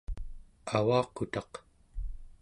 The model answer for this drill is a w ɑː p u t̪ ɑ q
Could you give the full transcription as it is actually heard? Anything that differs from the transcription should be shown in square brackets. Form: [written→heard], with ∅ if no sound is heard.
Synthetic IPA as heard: a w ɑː [p→q] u t̪ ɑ q